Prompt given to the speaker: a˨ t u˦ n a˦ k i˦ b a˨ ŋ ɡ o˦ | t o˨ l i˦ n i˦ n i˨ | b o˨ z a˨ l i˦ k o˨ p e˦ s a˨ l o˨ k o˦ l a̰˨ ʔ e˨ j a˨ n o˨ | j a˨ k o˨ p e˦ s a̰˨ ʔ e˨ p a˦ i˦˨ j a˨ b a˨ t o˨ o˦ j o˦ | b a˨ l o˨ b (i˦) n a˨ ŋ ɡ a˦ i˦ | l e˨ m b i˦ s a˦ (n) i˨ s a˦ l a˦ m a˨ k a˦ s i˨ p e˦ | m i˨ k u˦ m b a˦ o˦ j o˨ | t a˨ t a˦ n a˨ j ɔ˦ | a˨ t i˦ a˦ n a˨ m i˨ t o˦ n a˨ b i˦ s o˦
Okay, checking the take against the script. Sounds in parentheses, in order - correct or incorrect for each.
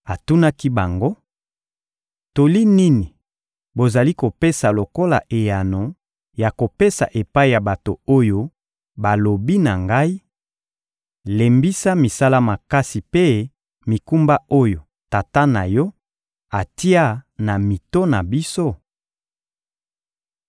correct, incorrect: m

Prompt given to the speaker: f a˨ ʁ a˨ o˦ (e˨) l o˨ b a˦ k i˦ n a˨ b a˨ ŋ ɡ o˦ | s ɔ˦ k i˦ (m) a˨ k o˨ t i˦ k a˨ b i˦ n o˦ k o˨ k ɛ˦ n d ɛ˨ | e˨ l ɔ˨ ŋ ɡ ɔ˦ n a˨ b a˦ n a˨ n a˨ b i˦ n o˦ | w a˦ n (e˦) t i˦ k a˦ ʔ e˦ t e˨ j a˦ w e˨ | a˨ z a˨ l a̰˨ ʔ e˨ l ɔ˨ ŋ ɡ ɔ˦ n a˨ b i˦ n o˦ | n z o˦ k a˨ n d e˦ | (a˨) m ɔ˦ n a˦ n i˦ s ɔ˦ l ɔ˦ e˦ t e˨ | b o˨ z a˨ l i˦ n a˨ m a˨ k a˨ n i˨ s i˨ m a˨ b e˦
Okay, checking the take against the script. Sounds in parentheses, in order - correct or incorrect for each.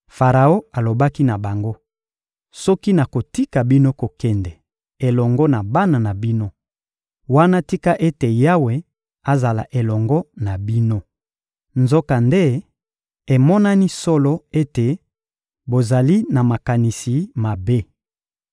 incorrect: a˨, incorrect: n, incorrect: a˦, incorrect: e˨

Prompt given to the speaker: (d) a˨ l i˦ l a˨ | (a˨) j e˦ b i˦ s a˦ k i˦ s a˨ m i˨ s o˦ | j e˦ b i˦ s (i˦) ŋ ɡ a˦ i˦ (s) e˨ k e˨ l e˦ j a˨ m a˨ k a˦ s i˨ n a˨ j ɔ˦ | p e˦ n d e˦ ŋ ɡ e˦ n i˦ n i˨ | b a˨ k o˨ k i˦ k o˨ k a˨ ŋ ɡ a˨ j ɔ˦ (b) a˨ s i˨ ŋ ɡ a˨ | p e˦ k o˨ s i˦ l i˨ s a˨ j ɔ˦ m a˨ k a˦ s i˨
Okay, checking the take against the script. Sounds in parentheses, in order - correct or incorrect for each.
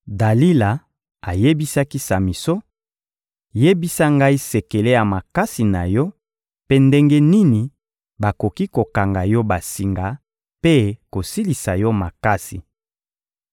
correct, correct, incorrect: a˦, correct, correct

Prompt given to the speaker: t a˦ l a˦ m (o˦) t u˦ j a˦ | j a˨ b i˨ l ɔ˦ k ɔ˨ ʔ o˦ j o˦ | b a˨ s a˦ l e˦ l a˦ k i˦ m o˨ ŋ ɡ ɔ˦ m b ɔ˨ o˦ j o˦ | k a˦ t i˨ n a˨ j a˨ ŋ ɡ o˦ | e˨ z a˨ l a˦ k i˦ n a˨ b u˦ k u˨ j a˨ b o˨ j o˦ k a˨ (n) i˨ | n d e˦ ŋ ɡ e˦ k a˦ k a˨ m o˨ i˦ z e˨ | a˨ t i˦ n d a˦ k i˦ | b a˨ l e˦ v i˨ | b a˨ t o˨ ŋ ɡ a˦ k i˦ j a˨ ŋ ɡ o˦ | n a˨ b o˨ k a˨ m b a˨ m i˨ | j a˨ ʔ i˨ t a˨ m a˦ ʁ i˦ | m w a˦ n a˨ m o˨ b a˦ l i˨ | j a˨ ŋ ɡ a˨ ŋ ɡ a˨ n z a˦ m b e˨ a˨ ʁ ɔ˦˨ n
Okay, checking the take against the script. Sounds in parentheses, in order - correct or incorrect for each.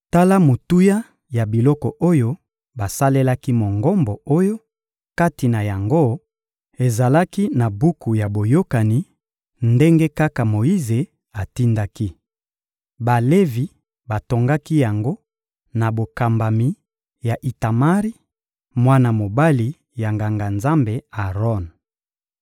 incorrect: o˨, correct

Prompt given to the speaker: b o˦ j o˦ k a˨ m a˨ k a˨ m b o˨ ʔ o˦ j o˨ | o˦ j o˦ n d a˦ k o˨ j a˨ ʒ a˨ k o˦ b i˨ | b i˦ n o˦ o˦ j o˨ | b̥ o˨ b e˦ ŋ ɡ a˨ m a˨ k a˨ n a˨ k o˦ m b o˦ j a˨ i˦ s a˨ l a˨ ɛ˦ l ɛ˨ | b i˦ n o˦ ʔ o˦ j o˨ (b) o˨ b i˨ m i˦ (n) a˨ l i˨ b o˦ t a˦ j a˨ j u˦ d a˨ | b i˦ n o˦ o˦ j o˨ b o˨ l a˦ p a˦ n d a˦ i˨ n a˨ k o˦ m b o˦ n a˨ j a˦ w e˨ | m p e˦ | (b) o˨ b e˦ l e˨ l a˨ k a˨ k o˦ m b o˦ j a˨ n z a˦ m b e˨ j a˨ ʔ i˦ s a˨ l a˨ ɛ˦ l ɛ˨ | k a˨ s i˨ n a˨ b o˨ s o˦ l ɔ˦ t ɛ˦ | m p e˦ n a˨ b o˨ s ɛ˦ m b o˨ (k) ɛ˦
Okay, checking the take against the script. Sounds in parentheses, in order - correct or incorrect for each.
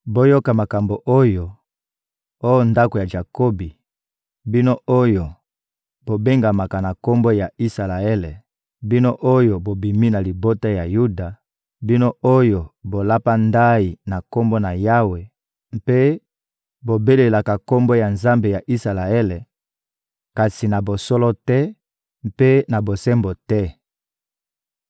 correct, correct, correct, incorrect: t

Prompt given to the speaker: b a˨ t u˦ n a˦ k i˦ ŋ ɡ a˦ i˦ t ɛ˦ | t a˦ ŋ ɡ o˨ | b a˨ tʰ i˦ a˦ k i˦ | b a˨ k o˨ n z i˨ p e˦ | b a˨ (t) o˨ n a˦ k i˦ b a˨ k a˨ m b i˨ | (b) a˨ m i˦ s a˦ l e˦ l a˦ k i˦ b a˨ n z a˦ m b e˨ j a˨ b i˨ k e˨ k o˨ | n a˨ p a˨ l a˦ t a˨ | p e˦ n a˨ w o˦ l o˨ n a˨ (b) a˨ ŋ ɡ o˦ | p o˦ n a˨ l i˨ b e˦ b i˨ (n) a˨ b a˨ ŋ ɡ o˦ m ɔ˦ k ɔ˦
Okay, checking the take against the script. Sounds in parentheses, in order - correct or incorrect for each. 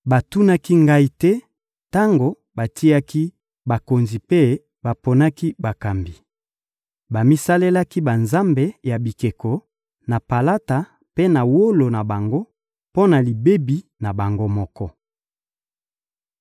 incorrect: p, correct, correct, correct

